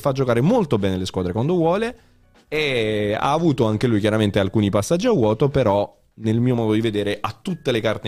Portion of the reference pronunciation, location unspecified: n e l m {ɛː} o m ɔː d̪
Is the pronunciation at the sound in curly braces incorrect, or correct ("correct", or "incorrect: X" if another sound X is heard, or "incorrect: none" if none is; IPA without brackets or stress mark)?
incorrect: iː